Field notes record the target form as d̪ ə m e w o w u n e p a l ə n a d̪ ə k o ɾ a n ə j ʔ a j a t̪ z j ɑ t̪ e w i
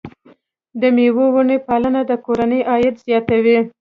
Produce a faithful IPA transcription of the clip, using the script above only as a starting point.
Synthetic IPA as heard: d̪ ə m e w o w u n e p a l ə n a d̪ ə k o ɾ a n ə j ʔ ɑ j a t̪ z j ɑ t̪ a w i